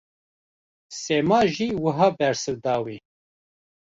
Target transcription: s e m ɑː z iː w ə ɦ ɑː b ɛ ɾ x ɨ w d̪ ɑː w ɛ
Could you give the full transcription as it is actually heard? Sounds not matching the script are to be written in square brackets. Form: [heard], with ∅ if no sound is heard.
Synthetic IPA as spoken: s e m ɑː [ʒ] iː w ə ɦ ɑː b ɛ ɾ [s] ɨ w d̪ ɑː w [i]